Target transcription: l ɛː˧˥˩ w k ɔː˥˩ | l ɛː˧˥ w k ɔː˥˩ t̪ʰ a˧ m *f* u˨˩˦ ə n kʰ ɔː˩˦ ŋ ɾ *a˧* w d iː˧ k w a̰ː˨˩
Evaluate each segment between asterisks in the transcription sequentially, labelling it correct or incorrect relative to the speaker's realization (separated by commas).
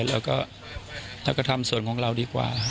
incorrect, correct